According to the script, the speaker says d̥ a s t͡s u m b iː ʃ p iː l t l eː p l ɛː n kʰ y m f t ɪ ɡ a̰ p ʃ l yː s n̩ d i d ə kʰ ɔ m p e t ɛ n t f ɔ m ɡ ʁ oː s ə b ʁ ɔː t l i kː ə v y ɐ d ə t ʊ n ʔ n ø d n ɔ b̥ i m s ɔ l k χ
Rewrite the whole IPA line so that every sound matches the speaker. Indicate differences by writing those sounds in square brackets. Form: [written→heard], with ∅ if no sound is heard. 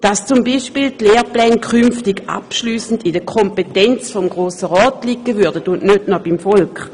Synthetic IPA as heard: d̥ a s t͡s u m b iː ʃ p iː l t l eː p l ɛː n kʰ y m f t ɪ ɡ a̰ p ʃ l yː s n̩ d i d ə kʰ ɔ m p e t ɛ n [t→t͡s] f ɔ m ɡ ʁ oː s ə [b→∅] ʁ ɔː t l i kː ə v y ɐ d ə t ʊ n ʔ n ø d n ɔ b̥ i m [s→f] ɔ l k χ